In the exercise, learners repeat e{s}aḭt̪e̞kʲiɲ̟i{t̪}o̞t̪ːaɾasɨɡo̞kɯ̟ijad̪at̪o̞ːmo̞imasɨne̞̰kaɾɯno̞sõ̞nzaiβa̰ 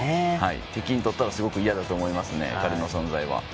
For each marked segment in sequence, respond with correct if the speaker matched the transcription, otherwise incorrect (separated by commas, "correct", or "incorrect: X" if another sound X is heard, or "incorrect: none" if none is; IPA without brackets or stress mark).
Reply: incorrect: h, correct